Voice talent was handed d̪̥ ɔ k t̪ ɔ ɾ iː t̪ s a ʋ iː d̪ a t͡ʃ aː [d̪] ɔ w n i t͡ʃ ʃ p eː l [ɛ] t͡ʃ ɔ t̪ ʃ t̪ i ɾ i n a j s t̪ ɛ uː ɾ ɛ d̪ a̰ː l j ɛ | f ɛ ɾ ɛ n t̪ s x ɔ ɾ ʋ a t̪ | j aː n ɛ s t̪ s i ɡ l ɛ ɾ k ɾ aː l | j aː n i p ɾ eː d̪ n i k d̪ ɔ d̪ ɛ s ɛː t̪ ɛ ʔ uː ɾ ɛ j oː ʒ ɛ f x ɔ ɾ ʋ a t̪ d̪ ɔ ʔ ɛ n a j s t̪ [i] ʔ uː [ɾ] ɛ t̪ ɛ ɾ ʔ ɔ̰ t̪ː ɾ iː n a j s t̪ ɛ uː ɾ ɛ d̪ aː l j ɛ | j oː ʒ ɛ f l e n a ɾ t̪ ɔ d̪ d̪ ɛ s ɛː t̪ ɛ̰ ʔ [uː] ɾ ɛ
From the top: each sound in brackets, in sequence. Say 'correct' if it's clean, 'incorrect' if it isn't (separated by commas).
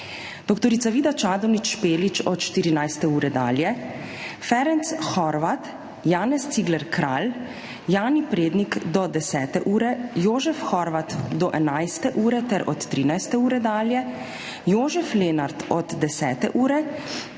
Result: correct, incorrect, incorrect, correct, correct